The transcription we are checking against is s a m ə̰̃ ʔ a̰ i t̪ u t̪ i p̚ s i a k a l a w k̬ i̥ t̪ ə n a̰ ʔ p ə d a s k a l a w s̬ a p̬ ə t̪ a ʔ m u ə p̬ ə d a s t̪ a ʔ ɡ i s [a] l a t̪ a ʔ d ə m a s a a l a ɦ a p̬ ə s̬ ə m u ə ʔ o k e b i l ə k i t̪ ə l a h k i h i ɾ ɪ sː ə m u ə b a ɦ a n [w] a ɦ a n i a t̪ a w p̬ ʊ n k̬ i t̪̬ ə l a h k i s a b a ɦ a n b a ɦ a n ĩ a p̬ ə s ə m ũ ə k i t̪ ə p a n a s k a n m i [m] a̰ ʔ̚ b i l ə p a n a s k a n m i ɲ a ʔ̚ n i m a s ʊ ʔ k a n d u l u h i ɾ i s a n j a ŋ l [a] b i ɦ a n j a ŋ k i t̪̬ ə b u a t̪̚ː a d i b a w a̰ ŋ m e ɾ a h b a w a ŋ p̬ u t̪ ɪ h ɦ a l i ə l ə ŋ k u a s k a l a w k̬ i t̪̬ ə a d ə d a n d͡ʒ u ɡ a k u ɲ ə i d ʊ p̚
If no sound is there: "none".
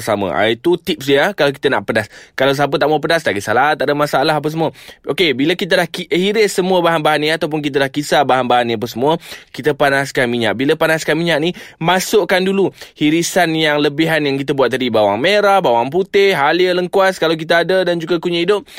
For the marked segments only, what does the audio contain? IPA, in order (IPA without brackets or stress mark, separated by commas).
a, b, ɲ, ə